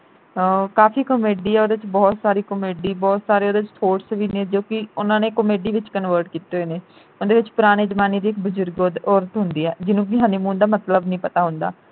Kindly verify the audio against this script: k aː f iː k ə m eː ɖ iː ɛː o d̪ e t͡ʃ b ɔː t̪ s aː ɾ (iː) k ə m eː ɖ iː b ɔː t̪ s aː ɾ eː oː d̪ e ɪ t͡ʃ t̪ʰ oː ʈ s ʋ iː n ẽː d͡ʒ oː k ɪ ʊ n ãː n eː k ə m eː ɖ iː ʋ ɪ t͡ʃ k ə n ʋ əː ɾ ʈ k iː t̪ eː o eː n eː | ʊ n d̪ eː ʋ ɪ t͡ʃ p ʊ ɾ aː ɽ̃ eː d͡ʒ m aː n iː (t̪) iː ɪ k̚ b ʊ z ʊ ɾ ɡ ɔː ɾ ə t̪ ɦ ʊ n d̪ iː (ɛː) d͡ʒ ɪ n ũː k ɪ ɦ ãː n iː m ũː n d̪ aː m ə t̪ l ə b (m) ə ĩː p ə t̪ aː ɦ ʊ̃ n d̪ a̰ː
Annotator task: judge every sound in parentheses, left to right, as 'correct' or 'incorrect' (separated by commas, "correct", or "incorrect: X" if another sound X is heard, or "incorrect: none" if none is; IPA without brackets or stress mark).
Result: correct, incorrect: d̪, correct, incorrect: n